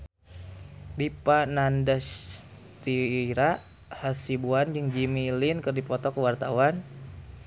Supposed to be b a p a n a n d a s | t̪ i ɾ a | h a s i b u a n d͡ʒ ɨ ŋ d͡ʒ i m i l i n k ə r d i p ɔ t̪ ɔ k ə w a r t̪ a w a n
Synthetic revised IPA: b i p a n a n d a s | t̪ i ɾ a | h a s i b u a n d͡ʒ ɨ ŋ d͡ʒ i m i l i n k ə r d i p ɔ t̪ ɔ k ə w a r t̪ a w a n